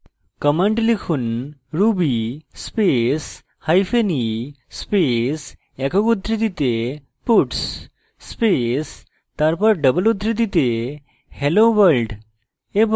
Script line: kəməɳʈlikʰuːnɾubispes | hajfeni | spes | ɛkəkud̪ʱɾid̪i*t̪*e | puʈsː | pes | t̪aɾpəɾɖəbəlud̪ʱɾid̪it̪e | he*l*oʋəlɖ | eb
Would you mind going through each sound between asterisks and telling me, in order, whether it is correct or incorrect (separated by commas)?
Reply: correct, correct